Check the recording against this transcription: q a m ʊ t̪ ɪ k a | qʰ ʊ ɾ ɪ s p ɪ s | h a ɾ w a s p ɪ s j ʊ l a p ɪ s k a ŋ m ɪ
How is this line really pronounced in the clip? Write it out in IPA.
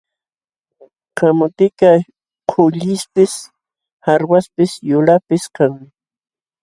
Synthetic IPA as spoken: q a m ʊ t̪ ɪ k a | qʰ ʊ ʎ ɪ s p ɪ s | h a ɾ w a s p ɪ s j ʊ l a p ɪ s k a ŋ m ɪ